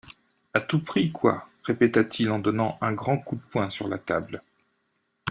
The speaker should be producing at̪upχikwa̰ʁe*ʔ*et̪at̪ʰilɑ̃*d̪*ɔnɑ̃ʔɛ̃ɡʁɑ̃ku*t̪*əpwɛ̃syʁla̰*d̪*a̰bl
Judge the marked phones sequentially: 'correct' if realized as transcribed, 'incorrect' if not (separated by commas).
incorrect, correct, incorrect, incorrect